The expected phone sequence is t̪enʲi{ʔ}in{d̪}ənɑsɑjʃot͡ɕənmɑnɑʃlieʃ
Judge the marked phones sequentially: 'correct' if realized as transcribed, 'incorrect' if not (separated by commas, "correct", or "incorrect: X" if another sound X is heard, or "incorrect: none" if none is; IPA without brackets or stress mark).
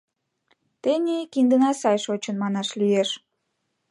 incorrect: k, correct